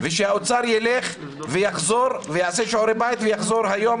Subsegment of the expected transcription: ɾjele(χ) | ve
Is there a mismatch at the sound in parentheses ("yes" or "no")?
no